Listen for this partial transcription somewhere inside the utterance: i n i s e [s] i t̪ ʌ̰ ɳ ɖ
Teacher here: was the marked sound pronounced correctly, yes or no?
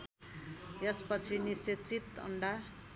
no